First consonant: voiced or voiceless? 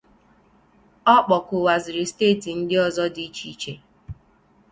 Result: voiceless